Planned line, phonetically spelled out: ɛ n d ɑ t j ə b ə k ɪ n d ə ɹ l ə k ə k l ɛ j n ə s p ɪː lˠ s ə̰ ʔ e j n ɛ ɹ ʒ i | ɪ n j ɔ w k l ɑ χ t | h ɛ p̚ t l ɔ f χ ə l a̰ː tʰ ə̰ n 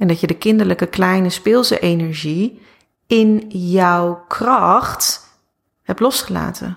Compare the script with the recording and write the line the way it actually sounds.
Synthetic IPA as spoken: ɛ n d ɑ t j ə d ə k ɪ n d ə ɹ l ə k ə k l ɛ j n ə s p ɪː lˠ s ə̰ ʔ e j n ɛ ɹ ʒ i | ɪ n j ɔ w k r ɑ χ t | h ɛ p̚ t l ɔ s χ ə l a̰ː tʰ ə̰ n